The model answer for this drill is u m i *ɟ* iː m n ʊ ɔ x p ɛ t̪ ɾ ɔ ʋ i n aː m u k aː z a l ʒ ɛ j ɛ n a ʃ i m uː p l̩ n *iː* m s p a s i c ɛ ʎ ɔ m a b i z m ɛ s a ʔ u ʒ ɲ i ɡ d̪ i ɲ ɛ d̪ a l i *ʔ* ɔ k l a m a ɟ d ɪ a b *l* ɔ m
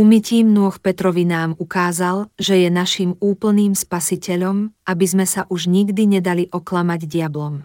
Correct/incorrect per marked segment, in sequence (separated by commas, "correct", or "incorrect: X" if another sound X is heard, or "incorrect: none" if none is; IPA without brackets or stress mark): incorrect: c, correct, correct, correct